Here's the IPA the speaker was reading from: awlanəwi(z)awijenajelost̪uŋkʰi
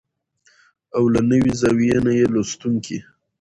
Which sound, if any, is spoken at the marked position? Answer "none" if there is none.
z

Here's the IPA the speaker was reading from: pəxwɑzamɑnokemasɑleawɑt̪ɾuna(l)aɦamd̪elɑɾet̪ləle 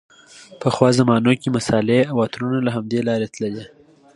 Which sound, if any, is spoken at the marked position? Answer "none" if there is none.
l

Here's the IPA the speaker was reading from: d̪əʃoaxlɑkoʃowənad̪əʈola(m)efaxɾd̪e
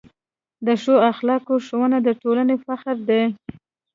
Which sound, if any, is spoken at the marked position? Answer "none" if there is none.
n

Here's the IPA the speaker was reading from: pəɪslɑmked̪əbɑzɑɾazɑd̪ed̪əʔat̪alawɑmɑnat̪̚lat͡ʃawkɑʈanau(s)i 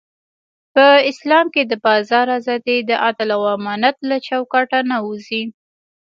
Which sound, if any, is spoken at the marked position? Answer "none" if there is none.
z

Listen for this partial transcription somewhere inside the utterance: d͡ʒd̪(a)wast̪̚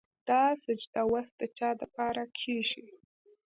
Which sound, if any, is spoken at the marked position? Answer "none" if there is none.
a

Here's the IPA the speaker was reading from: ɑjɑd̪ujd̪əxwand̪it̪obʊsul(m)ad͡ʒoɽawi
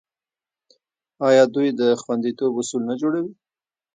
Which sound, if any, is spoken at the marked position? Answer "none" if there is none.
n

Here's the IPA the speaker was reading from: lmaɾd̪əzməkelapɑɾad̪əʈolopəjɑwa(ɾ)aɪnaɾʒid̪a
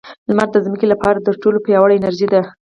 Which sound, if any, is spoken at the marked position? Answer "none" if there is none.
ɽ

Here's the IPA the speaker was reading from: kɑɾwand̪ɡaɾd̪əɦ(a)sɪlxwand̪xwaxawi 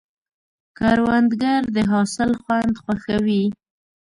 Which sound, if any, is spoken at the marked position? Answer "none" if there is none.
ɑ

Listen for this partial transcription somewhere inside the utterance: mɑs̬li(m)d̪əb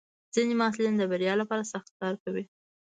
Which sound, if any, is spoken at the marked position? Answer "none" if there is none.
n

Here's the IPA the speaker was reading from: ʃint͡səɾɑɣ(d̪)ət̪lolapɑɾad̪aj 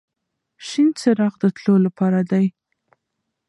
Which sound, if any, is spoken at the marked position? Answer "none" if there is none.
d̪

